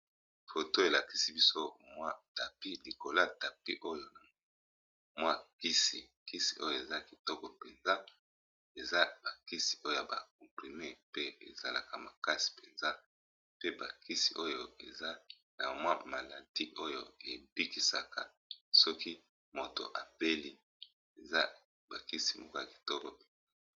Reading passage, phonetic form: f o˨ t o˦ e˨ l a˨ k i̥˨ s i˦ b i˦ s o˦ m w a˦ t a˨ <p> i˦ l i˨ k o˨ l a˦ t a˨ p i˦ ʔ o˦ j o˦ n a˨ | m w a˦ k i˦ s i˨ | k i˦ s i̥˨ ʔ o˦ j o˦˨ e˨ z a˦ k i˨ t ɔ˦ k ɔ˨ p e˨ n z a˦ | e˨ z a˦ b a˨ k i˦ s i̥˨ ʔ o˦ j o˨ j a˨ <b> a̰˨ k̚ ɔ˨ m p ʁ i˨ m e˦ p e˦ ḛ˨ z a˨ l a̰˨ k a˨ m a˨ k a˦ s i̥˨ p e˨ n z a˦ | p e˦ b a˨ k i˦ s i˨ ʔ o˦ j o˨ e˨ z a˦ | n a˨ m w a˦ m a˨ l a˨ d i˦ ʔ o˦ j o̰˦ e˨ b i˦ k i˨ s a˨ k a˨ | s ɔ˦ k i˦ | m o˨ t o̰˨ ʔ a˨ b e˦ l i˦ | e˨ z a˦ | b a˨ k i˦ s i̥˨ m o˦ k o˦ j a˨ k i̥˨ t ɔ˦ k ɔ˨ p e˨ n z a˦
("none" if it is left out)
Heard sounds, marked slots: p, b

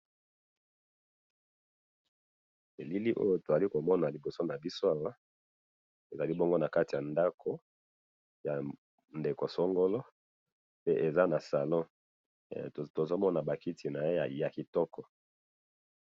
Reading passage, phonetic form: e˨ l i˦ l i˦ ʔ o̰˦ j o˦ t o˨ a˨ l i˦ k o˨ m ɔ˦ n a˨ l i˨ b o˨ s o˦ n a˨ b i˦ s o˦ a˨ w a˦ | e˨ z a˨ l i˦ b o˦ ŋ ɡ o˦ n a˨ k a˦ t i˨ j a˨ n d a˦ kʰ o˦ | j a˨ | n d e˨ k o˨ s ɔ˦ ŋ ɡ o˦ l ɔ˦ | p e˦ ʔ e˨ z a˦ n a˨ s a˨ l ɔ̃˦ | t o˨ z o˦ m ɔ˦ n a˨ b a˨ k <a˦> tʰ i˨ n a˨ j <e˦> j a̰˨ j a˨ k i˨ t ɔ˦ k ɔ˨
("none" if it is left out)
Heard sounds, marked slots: i˦, e˦

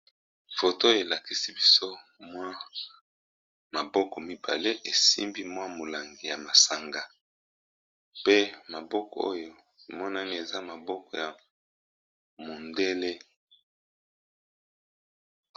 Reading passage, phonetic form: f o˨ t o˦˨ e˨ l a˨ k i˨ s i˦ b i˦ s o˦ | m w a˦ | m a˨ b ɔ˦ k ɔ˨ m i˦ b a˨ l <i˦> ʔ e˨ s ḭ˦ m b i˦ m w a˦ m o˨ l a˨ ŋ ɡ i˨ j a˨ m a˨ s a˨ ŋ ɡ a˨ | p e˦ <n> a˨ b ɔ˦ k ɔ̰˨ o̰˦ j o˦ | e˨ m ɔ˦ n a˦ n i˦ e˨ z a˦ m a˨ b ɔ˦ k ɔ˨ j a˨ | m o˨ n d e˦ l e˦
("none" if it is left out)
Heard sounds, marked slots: e˦, m

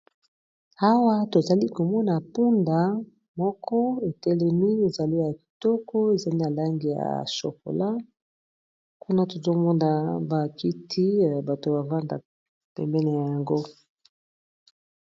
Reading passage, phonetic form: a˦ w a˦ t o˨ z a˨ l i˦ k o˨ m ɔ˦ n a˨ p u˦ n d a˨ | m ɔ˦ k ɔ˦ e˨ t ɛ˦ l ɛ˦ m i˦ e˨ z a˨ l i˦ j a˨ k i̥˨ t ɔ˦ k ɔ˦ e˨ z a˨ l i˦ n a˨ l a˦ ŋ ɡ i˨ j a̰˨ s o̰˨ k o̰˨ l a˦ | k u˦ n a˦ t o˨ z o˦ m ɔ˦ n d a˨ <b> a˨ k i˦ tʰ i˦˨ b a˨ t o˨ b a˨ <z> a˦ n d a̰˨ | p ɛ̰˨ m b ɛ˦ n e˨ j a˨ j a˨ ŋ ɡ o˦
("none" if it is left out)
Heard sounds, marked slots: b, v

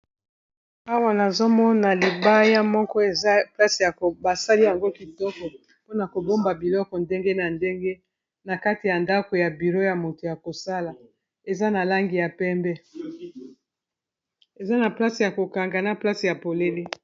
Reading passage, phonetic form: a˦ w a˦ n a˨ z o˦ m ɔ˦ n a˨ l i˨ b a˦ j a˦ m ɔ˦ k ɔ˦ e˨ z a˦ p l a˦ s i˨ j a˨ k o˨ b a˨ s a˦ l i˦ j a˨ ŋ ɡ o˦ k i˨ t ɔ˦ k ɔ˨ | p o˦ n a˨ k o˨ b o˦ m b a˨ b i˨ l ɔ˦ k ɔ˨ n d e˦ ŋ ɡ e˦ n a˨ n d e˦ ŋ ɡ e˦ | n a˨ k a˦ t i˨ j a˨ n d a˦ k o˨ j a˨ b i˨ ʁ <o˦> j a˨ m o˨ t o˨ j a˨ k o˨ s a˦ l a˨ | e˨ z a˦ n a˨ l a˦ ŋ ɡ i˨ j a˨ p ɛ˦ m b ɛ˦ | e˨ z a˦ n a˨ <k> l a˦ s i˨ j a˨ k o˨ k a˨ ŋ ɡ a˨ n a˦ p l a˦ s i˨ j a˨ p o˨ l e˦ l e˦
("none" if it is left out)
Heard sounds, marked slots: o˦, p

